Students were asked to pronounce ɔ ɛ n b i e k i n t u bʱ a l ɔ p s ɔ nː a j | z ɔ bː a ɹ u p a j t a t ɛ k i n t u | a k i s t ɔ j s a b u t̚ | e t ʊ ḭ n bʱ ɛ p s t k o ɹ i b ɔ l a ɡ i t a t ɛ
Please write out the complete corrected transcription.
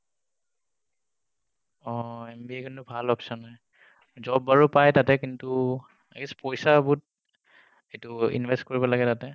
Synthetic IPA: ɔ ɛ m b i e k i n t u bʱ a l ɔ p s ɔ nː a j | z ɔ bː a ɹ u p a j t a t ɛ k i n t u | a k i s p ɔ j s a b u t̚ | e t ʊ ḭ n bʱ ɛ s t k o ɹ i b ɔ l a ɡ ɛ t a t ɛ